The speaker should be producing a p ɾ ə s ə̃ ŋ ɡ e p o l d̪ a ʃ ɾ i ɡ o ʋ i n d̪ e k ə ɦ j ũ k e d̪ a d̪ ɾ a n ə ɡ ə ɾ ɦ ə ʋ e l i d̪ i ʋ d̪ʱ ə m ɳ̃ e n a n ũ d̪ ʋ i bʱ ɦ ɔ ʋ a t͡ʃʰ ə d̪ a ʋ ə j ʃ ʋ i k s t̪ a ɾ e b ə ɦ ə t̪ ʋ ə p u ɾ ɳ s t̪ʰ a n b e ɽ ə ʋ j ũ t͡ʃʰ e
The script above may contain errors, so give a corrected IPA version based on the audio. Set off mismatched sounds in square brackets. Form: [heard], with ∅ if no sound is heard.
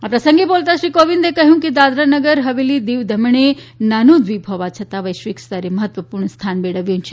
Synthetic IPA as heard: a p ɾ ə s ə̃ ŋ ɡ e [b] o l [t̪] a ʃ ɾ i [k] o ʋ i n d̪ e k ə ɦ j ũ k e d̪ a d̪ ɾ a n ə ɡ ə ɾ ɦ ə ʋ e l i d̪ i ʋ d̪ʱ ə m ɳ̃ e n a n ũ d̪ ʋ i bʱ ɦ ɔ ʋ a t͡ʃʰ ə [t̪] a ʋ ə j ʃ ʋ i k s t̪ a ɾ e [m] ə ɦ ə t̪ ʋ ə p u ɾ ɳ s t̪ʰ a n b e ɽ ə ʋ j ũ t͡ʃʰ e

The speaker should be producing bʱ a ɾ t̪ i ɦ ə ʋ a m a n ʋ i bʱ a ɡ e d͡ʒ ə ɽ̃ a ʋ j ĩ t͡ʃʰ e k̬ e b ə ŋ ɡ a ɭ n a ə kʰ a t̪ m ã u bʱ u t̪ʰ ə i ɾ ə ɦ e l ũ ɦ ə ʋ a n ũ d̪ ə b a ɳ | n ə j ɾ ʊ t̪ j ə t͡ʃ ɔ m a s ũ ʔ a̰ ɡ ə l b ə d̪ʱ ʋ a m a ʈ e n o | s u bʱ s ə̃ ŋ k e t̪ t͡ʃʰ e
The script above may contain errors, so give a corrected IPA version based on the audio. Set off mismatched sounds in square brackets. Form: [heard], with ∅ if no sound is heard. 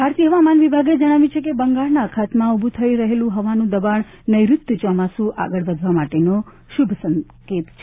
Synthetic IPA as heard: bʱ a ɾ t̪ i ɦ ə ʋ a m a n ʋ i bʱ a ɡ e d͡ʒ ə ɽ̃ a ʋ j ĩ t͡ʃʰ e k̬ e b ə ŋ ɡ a ɭ n a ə kʰ a t̪ m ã u bʱ u t̪ʰ ə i ɾ ə ɦ e l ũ ɦ ə ʋ a n ũ d̪ ə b a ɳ | n ə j ɾ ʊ t̪ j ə t͡ʃ ɔ m a s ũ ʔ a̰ ɡ ə [ɭ] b ə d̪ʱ ʋ a m a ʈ e n o | [ʃ] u bʱ s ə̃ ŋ k e t̪ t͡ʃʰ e

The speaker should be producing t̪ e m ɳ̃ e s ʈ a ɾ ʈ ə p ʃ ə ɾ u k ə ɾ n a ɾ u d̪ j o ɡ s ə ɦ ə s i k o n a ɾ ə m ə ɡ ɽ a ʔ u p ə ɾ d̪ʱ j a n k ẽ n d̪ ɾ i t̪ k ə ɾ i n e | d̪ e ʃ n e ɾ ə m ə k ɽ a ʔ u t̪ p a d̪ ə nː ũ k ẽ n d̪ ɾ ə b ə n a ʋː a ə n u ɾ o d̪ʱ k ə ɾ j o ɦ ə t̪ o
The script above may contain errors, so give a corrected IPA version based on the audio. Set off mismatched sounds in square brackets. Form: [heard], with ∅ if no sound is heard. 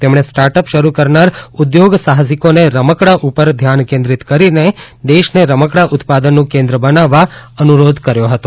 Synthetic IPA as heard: t̪ e m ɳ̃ e s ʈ a ɾ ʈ ə p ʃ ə ɾ u k ə ɾ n a ɾ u d̪ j o ɡ s [a] ɦ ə s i k o n [e] ɾ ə m ə [k] ɽ a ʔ u p ə ɾ d̪ʱ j a n k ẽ n d̪ ɾ i t̪ k ə ɾ i n e | d̪ e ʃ n e ɾ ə m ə k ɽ a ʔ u t̪ p a d̪ ə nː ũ k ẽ n d̪ ɾ ə b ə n a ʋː a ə n u ɾ o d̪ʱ k ə ɾ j o ɦ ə t̪ o

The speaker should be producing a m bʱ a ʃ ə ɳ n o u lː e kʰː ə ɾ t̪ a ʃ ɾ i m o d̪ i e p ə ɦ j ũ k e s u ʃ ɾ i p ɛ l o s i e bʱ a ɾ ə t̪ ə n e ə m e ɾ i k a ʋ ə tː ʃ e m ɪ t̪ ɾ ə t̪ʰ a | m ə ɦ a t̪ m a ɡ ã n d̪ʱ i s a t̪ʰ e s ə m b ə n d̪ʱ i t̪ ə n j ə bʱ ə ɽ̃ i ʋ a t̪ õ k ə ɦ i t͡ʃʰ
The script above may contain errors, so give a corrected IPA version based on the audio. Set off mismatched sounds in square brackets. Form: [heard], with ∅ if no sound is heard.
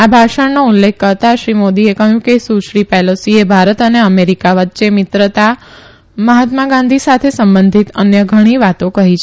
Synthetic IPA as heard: a [∅] bʱ a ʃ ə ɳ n o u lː e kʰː ə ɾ t̪ a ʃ ɾ i m o d̪ i e [k] ə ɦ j ũ k e s u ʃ ɾ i p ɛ l o s i e bʱ a ɾ ə t̪ ə n e ə m e ɾ i k a ʋ ə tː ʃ e m ɪ t̪ ɾ ə [t̪] a | m ə ɦ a t̪ m a ɡ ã n d̪ʱ i s a t̪ʰ e s ə m b ə n d̪ʱ i t̪ ə n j ə [ɡʱ] ə ɽ̃ i ʋ a t̪ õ k ə ɦ i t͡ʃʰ

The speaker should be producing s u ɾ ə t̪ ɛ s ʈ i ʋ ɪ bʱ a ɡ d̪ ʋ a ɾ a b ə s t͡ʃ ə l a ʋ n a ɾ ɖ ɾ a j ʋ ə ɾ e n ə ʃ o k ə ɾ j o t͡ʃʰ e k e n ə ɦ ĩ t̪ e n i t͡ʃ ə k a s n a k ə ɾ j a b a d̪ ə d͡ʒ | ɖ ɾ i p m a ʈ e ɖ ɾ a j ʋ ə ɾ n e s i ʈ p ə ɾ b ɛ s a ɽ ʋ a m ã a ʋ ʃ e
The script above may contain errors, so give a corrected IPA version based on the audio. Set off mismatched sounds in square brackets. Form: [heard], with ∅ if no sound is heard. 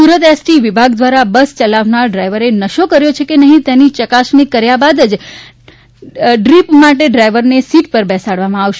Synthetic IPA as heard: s u ɾ ə t̪ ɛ s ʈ i ʋ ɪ bʱ a ɡ d̪ ʋ a ɾ a b ə s t͡ʃ ə l a ʋ n a ɾ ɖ ɾ a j ʋ ə ɾ e n ə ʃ o k ə ɾ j o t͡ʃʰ e k e n ə ɦ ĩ t̪ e n i t͡ʃ ə k a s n [i] k ə ɾ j a b a d̪ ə d͡ʒ | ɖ ɾ i p m a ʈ e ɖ ɾ a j ʋ ə ɾ n e s i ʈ p ə ɾ b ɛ s a ɽ ʋ a m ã a ʋ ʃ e

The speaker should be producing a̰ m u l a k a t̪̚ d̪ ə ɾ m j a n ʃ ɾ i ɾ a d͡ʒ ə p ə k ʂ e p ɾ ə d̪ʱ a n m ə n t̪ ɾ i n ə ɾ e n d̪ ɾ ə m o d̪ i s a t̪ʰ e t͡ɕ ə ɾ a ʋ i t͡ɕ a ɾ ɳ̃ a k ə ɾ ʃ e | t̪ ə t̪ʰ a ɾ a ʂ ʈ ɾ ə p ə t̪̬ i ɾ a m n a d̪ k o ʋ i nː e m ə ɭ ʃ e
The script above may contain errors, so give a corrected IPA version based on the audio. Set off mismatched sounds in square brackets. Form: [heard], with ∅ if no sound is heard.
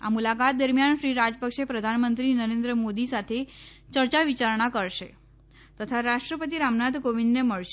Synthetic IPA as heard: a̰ m u l a k a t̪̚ d̪ ə ɾ m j a n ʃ ɾ i ɾ a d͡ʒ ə p ə k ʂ e p ɾ ə d̪ʱ a n m ə n t̪ ɾ i n ə ɾ e n d̪ ɾ ə m o d̪ i s a t̪ʰ e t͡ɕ ə ɾ a ʋ i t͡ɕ a ɾ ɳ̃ a k ə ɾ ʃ e | t̪ ə t̪ʰ a ɾ a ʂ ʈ ɾ ə p ə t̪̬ i ɾ a m n a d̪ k o ʋ i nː e m ə ɭ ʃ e

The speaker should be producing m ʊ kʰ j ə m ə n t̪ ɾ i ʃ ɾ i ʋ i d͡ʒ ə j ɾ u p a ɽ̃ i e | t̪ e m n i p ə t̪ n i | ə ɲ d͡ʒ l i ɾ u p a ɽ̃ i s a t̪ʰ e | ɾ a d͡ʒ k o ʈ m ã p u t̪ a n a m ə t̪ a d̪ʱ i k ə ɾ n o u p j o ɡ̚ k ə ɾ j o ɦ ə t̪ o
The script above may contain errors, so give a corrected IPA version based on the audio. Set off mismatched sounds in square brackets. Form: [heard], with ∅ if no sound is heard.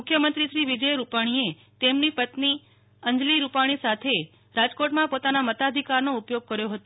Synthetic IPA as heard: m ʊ kʰ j ə m ə n t̪ ɾ i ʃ ɾ i ʋ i d͡ʒ ə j ɾ u p a ɽ̃ i e | t̪ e m n i p ə t̪ n i | ə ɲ d͡ʒ l i ɾ u p a ɽ̃ i s a t̪ʰ e | ɾ a d͡ʒ k o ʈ m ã p [o] t̪ a n a m ə t̪ a d̪ʱ i k [a] ɾ n o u p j o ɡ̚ k ə ɾ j o ɦ ə t̪ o

